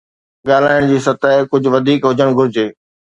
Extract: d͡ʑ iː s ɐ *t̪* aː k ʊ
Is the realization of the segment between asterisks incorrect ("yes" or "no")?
no